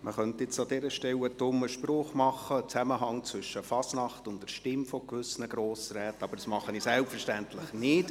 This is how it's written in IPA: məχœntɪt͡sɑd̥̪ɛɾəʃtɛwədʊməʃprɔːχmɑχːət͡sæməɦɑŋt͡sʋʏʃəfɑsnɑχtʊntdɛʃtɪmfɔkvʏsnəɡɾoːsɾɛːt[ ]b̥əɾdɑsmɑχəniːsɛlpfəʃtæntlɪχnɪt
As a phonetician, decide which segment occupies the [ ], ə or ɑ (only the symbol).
ɑ